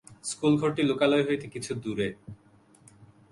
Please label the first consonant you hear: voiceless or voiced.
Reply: voiceless